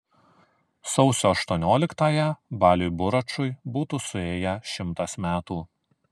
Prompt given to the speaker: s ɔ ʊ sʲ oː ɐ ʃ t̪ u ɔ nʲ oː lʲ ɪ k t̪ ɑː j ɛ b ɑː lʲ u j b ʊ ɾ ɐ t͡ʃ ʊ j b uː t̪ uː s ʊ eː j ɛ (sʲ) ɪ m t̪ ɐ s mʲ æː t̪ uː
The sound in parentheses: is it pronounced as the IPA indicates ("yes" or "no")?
no